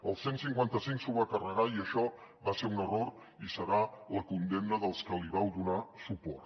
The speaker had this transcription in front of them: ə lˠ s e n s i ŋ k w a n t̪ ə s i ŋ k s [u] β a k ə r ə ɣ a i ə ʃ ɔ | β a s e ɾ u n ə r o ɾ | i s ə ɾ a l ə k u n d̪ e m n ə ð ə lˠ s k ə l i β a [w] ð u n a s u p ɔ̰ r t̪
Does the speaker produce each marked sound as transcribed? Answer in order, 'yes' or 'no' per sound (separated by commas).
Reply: yes, yes